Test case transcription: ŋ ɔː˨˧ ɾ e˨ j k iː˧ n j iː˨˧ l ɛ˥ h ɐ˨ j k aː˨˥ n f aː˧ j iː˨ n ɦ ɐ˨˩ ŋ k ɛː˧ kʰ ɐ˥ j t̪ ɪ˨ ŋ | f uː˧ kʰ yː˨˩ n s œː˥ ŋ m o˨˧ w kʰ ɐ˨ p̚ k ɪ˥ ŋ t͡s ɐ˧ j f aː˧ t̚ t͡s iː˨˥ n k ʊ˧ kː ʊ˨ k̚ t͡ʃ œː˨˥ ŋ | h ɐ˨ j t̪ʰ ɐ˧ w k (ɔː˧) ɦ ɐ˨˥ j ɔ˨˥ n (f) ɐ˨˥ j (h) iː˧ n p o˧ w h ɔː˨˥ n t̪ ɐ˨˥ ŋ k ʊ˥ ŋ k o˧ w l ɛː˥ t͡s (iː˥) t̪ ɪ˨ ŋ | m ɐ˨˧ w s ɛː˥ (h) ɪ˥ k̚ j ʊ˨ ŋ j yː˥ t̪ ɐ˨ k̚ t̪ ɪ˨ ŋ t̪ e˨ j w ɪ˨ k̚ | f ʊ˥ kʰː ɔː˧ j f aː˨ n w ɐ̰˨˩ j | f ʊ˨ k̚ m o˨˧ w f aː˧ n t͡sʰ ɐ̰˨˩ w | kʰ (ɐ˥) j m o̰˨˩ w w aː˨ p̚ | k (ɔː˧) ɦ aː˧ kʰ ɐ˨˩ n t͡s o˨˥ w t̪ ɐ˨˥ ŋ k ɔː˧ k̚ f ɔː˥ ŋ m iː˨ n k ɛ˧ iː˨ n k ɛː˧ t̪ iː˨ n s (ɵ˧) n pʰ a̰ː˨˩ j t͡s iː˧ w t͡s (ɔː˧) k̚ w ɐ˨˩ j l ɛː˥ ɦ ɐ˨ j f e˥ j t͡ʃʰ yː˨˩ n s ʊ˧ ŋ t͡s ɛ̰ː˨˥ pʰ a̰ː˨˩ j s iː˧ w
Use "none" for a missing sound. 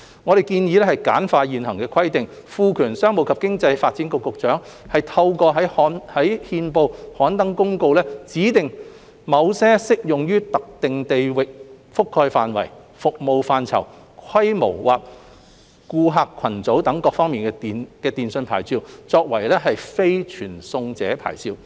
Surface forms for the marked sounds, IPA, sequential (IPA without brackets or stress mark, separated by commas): ɔː˧, h, h, iː˨˥, s, ɐ˥, uː˧, ɵ˧, ɔː˧